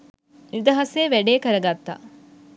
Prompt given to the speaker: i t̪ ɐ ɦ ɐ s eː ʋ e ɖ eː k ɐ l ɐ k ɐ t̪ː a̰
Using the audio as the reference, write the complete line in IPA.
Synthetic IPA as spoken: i d̪ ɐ ɦ ɐ s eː ʋ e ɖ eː k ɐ ɾ ɐ ɡ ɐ t̪ː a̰